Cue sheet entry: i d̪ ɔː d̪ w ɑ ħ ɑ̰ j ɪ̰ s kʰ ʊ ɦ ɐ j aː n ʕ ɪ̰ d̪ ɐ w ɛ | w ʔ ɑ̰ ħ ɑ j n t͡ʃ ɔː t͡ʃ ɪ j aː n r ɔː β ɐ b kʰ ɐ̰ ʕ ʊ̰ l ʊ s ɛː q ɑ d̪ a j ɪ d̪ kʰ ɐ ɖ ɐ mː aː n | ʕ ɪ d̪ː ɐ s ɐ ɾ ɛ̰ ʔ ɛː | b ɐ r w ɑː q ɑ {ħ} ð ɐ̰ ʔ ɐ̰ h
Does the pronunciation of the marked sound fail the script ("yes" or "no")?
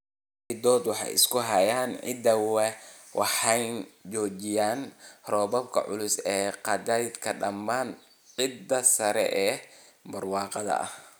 yes